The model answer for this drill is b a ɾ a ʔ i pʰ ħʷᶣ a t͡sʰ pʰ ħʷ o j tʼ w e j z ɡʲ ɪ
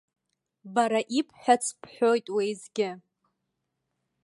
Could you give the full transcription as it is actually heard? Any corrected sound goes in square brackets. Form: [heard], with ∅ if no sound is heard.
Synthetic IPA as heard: b a ɾ a ʔ i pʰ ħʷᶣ a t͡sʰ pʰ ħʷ o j tʼ w e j z ɡʲ ɪ